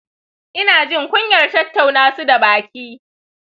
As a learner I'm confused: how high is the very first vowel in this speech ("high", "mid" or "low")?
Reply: high